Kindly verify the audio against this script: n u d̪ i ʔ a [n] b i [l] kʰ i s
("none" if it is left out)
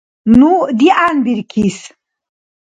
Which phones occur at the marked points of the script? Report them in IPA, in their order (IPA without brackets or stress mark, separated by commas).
n, ɾ